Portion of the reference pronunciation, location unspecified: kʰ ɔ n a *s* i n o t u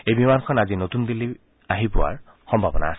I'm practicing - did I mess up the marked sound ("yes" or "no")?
yes